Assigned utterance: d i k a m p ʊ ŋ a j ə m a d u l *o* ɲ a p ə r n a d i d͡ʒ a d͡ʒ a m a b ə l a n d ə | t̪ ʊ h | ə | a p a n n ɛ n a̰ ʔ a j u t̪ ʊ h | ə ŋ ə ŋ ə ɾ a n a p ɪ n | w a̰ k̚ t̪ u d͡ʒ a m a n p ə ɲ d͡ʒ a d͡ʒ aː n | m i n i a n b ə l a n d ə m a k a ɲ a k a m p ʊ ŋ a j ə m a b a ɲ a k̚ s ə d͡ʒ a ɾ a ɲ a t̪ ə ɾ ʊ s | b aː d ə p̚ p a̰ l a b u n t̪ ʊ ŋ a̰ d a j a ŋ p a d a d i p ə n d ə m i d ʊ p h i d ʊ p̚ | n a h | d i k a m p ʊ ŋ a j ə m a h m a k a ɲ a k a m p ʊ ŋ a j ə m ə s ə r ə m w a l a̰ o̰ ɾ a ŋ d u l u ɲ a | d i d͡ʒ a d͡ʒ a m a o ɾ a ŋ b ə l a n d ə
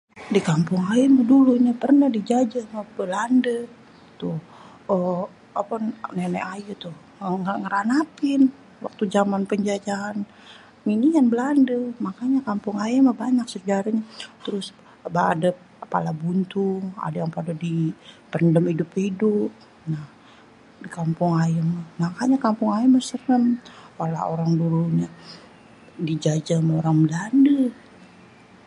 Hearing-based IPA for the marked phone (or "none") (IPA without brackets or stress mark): u